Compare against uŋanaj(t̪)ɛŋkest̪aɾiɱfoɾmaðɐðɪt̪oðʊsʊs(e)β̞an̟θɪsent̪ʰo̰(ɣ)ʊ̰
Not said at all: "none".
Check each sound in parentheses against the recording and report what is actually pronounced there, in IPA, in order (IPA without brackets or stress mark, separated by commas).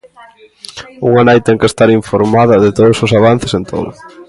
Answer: t̪, a, ð